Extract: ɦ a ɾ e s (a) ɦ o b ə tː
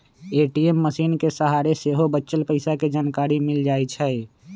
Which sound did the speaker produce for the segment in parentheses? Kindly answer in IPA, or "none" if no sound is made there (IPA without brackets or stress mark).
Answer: e